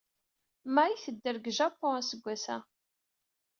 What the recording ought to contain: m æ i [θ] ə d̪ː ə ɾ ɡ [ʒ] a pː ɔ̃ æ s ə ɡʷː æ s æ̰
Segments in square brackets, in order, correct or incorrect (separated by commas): correct, correct